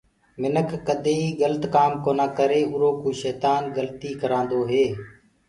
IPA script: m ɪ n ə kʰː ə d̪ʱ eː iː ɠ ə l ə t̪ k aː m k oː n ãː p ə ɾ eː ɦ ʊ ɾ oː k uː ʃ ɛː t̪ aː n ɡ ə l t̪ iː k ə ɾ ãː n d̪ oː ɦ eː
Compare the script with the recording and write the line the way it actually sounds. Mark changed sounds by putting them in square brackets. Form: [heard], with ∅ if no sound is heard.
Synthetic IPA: m ɪ n ə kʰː ə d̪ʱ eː iː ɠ ə l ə t̪ k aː m k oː n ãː [k] ə ɾ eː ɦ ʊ ɾ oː k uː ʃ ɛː t̪ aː n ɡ ə l t̪ iː k ə ɾ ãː n d̪ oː ɦ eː